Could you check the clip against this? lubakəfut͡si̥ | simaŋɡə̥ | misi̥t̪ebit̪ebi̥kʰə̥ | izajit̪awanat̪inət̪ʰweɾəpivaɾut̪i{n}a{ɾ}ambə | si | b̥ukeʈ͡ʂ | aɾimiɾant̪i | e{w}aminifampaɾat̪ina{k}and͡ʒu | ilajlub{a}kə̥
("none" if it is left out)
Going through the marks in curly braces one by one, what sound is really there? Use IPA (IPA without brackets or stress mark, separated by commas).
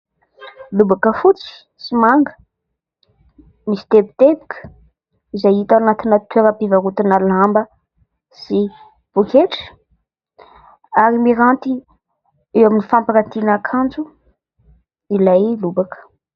n, l, w, kʰ, a